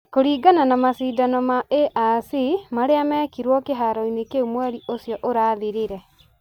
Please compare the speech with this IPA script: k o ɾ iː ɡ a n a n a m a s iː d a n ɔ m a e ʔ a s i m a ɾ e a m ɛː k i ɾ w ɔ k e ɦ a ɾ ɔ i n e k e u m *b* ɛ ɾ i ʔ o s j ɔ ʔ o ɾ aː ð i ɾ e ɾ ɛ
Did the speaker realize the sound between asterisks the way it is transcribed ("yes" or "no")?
no